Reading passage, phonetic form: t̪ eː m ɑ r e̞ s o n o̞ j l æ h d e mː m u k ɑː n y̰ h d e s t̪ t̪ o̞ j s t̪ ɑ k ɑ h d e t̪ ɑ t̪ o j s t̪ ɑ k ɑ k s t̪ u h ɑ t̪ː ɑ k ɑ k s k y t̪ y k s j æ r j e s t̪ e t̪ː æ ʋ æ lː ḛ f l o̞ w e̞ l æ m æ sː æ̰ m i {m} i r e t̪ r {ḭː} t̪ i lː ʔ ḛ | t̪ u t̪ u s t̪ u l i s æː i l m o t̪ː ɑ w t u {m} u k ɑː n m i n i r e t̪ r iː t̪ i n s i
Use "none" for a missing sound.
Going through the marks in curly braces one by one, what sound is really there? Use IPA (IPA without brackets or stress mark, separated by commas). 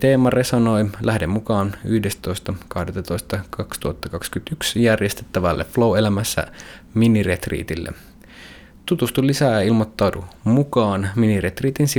n, ḭː, m